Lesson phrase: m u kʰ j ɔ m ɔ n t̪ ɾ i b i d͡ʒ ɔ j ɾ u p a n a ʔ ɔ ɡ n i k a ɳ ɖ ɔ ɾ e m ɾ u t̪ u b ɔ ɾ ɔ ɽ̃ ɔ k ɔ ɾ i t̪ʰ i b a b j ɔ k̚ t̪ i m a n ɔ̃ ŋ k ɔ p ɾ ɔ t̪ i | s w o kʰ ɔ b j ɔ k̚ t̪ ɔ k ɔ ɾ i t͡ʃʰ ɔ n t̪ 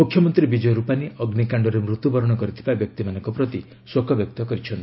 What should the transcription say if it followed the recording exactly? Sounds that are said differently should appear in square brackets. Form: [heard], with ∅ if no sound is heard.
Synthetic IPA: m u kʰ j ɔ m ɔ n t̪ ɾ i b i d͡ʒ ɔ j ɾ u p a n [i] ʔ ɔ ɡ n i k a ɳ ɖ ɔ ɾ e m ɾ u t̪ u b ɔ ɾ ɔ ɽ̃ ɔ k ɔ ɾ i t̪ʰ i b a b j ɔ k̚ t̪ i m a n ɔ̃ ŋ k ɔ p ɾ ɔ t̪ i | s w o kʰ ɔ b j ɔ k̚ t̪ ɔ k ɔ ɾ i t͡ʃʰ ɔ n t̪

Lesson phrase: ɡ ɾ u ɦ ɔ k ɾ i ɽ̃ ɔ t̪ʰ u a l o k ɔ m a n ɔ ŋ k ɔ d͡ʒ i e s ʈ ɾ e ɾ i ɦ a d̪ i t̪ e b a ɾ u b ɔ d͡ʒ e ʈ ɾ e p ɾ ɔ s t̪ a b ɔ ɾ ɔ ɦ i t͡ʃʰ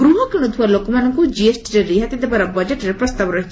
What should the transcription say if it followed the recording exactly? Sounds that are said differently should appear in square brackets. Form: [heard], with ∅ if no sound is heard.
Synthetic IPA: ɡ ɾ u ɦ ɔ k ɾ i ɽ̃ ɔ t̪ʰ u a l o k ɔ m a n ɔ ŋ k [u] d͡ʒ i e s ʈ ɾ e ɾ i ɦ a [t̪] i [d̪] e b a ɾ [ɔ] b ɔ d͡ʒ e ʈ ɾ e p ɾ ɔ s t̪ a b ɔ ɾ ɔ ɦ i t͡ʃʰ

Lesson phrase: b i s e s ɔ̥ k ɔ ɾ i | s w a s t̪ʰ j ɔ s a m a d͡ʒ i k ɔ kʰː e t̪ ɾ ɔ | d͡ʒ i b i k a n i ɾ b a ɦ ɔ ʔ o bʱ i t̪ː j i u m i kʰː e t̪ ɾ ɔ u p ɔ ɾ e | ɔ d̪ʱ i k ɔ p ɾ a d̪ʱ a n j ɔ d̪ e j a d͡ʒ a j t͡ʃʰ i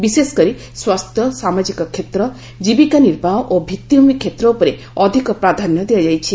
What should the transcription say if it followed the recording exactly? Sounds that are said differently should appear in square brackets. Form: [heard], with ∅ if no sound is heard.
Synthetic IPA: b i s e s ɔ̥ k ɔ ɾ i | s w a s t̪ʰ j ɔ s a m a d͡ʒ i k ɔ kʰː e t̪ ɾ ɔ | d͡ʒ i b i k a n i ɾ b a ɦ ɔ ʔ o bʱ i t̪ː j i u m i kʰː e t̪ ɾ ɔ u p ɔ ɾ e | ɔ d̪ʱ i k ɔ p ɾ a d̪ʱ a n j ɔ d̪ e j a d͡ʒ a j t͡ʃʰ i

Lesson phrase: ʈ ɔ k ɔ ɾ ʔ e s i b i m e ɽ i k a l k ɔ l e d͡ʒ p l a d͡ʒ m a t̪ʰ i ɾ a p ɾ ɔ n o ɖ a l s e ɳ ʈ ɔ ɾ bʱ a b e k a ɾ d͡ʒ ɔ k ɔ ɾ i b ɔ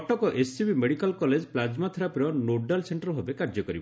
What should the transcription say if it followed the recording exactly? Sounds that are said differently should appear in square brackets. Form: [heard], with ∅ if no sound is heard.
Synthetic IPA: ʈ ɔ k ɔ [∅] ʔ e s i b i m e ɽ i k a l k ɔ l e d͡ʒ p l a d͡ʒ m a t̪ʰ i ɾ a p ɾ ɔ n o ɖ a l s e ɳ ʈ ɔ ɾ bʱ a b e k a ɾ d͡ʒ ɔ k ɔ ɾ i b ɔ

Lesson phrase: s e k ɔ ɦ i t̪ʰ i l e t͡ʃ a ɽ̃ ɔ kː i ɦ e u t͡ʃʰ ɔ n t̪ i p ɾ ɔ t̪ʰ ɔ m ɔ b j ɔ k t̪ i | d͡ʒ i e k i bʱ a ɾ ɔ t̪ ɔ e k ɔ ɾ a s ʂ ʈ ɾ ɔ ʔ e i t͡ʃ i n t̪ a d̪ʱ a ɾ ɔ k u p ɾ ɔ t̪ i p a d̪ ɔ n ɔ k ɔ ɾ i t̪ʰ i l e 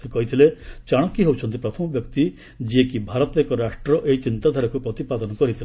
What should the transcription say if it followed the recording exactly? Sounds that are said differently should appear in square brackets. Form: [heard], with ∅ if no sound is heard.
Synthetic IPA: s e k ɔ ɦ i t̪ʰ i l e t͡ʃ a ɽ̃ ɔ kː i ɦ e [w] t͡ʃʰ ɔ n t̪ i p ɾ ɔ t̪ʰ ɔ m ɔ b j ɔ k t̪ i | d͡ʒ i e k i bʱ a ɾ ɔ t̪ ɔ e k ɔ ɾ a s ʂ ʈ ɾ ɔ ʔ e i t͡ʃ i n t̪ a d̪ʱ a ɾ ɔ k u p ɾ ɔ t̪ i p a d̪ ɔ n ɔ k ɔ ɾ i t̪ʰ i l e

